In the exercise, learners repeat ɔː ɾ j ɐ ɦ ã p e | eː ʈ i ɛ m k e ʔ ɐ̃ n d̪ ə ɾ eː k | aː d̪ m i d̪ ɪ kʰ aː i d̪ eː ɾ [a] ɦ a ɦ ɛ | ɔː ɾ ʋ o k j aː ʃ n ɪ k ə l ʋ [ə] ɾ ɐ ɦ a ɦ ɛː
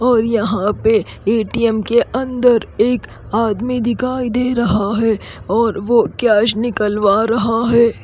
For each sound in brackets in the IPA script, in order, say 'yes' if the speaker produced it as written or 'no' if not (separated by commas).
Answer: no, no